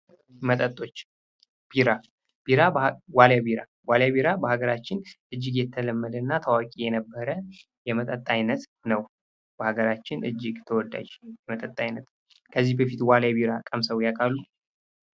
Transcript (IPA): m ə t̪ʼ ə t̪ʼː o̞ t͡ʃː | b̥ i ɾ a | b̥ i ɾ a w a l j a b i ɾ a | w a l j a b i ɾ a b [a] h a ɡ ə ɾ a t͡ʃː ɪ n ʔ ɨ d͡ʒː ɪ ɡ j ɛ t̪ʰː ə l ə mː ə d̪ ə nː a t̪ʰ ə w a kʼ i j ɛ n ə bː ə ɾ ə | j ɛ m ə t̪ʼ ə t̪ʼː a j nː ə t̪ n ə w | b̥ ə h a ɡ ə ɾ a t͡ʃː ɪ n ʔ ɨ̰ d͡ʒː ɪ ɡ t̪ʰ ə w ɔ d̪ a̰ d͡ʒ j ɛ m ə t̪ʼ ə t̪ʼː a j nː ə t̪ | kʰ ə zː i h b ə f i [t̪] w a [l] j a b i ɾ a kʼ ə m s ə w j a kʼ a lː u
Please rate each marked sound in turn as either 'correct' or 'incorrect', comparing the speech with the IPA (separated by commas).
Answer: incorrect, correct, correct